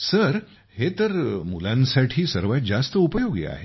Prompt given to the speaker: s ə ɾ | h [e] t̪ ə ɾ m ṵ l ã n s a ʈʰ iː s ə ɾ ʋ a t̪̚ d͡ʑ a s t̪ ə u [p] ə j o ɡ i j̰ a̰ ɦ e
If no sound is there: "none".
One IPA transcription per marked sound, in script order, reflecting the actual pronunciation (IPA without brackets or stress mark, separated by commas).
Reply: e, p